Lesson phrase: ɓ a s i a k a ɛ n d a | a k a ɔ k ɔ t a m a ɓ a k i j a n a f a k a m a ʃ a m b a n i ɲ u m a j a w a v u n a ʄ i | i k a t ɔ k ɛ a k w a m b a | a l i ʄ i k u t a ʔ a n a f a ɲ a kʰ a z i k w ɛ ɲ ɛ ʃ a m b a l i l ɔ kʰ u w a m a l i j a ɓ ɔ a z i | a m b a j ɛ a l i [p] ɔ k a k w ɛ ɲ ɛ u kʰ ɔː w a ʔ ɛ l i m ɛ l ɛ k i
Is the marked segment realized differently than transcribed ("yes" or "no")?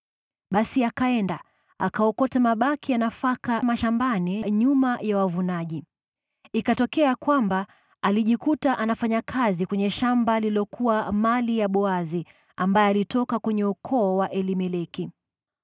yes